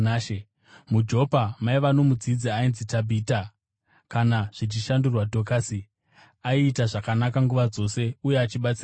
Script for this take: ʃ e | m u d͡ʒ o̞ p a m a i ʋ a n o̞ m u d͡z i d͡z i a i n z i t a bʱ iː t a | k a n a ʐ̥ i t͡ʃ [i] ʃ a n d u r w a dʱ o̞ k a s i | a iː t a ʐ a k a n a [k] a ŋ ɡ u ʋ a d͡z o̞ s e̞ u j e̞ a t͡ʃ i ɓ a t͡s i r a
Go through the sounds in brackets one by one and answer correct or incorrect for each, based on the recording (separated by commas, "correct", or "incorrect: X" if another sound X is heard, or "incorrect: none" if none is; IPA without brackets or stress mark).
correct, correct